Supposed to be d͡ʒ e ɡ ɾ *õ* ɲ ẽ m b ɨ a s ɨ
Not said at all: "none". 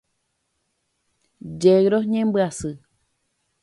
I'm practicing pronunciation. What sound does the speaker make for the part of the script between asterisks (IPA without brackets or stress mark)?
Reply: o